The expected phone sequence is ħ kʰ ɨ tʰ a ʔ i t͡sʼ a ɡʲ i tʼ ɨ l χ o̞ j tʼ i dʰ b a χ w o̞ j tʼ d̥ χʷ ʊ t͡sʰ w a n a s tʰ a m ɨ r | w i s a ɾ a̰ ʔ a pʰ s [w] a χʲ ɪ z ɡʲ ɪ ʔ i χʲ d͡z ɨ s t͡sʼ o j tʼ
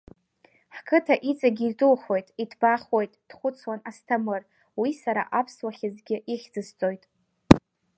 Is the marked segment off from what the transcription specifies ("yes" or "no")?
no